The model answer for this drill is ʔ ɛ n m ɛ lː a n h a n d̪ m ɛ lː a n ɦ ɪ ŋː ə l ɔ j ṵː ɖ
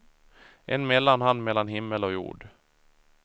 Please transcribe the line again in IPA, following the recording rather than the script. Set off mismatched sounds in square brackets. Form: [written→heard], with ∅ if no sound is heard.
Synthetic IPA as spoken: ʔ ɛ n m ɛ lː a n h a n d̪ m ɛ lː a n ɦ ɪ [ŋː→mː] ə l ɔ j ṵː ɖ